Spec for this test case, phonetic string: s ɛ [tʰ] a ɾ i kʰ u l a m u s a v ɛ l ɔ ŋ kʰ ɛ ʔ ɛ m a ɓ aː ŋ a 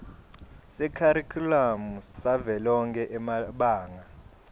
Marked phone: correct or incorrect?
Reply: incorrect